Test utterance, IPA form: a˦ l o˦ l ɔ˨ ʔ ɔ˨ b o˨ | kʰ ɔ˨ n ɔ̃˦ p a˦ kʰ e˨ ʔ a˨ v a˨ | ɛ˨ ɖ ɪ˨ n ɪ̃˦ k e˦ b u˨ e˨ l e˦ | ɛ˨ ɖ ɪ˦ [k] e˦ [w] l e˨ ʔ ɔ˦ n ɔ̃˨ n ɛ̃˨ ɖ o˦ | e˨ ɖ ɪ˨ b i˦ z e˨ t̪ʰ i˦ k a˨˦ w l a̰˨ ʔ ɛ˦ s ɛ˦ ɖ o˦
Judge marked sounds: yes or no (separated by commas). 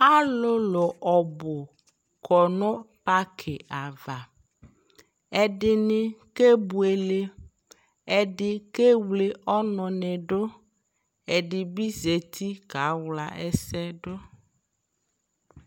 yes, yes